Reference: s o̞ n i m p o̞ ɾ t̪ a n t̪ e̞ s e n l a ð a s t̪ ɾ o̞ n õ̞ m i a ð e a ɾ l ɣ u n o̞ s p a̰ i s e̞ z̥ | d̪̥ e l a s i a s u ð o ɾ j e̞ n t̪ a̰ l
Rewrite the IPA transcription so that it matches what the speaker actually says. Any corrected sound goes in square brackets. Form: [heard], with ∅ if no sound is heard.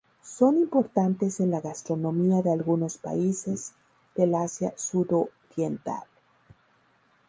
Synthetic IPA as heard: s o̞ n i m p o̞ ɾ t̪ a n t̪ e̞ s e n l a [ɣ] a s t̪ ɾ o̞ n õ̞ m i a ð e a [∅] l ɣ u n o̞ s p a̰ i s e̞ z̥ | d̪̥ e l a s [j] a s u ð o ɾ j e̞ n t̪ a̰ l